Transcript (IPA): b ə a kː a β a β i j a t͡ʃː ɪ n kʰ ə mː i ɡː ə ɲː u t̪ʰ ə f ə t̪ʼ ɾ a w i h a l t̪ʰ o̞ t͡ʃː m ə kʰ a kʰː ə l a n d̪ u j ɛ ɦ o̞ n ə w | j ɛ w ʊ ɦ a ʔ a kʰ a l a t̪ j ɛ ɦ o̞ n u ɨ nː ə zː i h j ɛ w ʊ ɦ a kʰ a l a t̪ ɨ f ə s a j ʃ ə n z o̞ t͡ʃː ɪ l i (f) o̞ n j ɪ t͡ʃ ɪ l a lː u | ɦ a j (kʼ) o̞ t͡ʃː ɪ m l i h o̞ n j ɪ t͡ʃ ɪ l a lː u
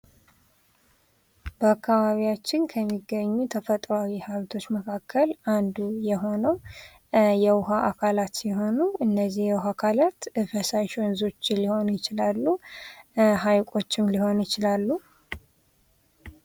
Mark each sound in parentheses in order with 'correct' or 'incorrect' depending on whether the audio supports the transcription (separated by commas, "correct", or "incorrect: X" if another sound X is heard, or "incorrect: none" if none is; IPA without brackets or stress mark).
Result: incorrect: h, correct